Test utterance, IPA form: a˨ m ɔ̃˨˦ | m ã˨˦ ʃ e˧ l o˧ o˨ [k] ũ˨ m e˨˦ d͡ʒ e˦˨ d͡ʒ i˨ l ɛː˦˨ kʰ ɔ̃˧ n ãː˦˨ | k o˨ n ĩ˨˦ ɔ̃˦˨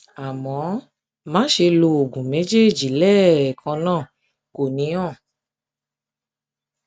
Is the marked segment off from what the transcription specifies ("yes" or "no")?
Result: yes